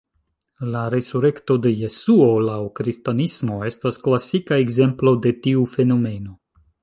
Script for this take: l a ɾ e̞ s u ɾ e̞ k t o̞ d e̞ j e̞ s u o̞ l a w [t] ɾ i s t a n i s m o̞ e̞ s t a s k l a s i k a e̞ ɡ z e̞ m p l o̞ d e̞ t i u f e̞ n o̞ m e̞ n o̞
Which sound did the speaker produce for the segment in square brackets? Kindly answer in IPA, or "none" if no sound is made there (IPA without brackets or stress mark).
k